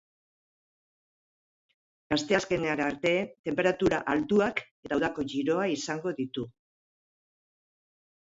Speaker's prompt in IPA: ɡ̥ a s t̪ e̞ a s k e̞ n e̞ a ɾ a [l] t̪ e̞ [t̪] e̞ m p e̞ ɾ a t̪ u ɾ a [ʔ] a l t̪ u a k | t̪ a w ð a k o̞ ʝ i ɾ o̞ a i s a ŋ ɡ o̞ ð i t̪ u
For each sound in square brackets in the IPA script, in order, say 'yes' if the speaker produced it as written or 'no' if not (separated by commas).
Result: no, yes, yes